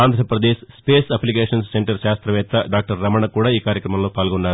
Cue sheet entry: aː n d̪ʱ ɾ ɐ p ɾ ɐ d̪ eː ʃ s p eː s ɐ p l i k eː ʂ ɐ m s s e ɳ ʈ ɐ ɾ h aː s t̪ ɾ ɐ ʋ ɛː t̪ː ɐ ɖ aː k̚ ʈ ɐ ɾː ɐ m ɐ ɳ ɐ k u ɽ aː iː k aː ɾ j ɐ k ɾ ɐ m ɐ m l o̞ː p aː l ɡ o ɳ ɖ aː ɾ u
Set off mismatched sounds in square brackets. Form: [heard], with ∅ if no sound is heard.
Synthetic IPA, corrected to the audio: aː n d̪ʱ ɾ ɐ p ɾ ɐ d̪ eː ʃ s p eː s ɐ p l i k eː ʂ ɐ [n] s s e ɳ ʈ ɐ ɾ [ʃ] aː s t̪ ɾ ɐ ʋ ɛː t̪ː ɐ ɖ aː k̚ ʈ ɐ ɾː ɐ m ɐ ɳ ɐ k [uː] ɽ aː iː k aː ɾ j ɐ k ɾ ɐ m ɐ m l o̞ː p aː l ɡ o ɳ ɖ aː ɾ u